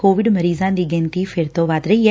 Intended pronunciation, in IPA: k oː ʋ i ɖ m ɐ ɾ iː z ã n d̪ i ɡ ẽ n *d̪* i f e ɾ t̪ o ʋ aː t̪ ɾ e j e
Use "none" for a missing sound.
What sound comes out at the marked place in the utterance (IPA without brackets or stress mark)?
t̪